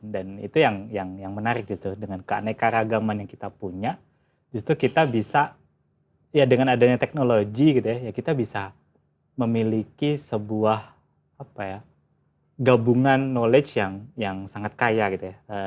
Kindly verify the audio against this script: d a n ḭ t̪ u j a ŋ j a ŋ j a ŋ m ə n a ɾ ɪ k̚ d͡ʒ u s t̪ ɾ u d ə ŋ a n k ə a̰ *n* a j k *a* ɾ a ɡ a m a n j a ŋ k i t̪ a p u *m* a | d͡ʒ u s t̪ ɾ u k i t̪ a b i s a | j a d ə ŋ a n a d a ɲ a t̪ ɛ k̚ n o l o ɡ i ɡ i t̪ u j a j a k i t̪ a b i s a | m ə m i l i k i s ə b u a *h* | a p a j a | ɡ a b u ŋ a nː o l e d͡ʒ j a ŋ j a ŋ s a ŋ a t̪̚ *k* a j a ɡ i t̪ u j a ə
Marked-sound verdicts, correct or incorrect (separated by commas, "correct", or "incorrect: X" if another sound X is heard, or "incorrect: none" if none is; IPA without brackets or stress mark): correct, correct, incorrect: ɲ, correct, correct